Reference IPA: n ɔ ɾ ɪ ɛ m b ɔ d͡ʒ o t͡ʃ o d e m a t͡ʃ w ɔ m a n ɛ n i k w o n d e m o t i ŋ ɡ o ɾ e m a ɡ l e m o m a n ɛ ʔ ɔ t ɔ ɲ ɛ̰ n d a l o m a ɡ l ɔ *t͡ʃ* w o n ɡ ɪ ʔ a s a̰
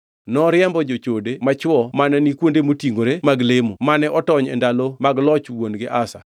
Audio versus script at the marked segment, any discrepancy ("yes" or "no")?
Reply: no